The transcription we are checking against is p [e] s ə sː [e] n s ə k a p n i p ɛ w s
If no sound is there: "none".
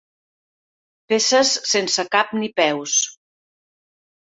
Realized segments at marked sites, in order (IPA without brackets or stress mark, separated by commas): e, e